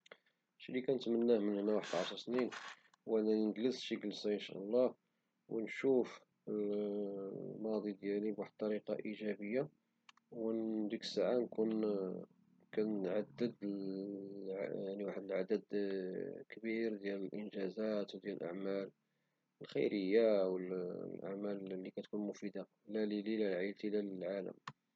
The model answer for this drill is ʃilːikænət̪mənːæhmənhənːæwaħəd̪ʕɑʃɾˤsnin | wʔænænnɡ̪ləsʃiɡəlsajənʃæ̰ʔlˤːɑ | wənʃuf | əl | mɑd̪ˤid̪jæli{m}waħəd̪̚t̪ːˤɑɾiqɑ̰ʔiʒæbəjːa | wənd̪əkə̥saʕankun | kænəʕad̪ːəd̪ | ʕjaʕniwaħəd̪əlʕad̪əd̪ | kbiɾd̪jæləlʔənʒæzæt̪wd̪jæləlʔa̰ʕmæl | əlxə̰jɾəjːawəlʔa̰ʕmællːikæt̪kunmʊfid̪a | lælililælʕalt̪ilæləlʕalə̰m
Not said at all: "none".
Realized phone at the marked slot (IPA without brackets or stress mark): b